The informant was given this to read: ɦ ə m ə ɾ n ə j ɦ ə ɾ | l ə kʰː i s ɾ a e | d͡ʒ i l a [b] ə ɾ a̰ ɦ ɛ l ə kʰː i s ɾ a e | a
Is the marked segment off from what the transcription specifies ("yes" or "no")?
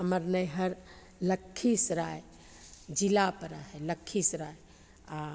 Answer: yes